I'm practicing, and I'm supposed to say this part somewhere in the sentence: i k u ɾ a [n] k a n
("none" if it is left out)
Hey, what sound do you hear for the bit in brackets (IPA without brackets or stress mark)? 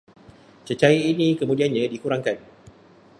ŋ